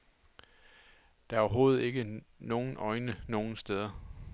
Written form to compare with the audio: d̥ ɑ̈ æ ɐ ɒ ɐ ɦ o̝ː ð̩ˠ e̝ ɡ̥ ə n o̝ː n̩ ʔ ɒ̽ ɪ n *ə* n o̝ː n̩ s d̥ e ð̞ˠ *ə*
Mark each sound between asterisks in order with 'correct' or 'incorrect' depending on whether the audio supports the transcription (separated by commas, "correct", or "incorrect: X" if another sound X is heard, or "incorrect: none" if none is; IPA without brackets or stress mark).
correct, incorrect: ɐ